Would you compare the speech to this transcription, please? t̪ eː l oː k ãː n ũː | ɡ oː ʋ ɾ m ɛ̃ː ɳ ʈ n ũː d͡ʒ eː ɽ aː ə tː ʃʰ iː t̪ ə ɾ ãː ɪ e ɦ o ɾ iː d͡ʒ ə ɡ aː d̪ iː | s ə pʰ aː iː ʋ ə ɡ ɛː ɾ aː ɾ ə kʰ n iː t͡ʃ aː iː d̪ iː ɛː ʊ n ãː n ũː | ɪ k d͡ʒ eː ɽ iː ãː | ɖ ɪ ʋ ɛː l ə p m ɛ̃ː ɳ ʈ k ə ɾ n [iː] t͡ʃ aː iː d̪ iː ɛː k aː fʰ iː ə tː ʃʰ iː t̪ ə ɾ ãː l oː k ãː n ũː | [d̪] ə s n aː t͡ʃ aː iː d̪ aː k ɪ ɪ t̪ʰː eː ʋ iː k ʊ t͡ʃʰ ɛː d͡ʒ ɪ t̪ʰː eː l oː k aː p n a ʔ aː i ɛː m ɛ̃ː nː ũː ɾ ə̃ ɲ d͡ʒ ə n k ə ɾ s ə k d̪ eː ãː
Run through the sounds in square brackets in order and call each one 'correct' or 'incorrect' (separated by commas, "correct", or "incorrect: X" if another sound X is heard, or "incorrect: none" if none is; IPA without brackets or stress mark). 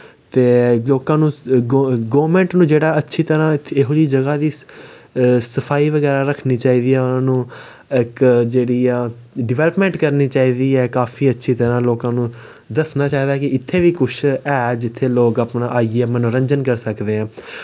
correct, correct